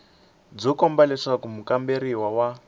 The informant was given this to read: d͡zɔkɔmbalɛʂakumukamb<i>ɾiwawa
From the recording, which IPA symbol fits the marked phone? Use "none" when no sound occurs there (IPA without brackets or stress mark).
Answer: e